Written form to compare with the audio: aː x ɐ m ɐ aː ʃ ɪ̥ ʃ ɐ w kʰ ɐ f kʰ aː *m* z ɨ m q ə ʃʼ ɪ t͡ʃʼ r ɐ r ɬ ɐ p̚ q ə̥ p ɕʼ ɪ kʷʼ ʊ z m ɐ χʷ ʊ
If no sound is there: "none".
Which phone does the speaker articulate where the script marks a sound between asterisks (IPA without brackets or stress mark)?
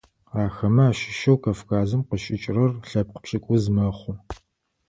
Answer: none